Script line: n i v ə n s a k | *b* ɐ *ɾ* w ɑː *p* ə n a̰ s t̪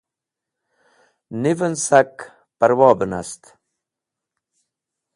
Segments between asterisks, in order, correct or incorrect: incorrect: p, correct, incorrect: b

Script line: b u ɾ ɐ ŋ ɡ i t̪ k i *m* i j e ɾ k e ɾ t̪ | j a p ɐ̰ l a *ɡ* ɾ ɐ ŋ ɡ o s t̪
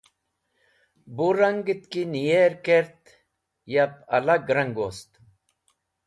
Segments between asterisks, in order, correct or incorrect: incorrect: n, correct

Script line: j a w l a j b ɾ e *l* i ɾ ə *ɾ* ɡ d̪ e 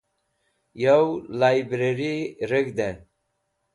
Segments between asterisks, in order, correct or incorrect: incorrect: ɾ, incorrect: none

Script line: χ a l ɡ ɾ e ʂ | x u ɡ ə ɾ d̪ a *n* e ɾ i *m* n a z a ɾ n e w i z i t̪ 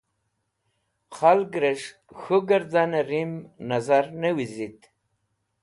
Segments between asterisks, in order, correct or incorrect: correct, correct

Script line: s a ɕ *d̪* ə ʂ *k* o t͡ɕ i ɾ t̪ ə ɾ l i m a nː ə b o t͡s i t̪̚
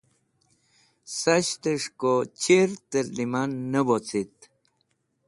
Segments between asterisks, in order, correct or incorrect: incorrect: t̪, correct

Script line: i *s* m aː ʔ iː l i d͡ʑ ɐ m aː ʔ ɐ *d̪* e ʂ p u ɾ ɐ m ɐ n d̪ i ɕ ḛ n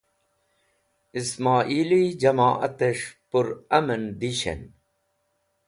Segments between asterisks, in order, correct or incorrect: correct, incorrect: t̪

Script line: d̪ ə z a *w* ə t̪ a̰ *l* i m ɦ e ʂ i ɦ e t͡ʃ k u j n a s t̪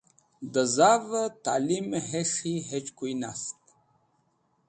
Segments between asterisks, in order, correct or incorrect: incorrect: v, correct

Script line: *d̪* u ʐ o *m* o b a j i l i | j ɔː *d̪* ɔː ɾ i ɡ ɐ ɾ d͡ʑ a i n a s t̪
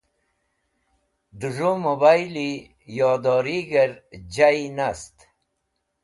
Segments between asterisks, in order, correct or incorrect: correct, correct, correct

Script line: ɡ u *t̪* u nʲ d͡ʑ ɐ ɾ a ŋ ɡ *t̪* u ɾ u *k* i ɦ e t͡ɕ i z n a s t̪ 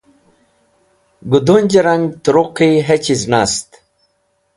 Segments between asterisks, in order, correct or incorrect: incorrect: d̪, correct, incorrect: q

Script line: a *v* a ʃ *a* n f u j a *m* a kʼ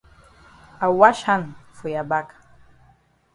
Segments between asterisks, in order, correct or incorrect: incorrect: w, correct, incorrect: b

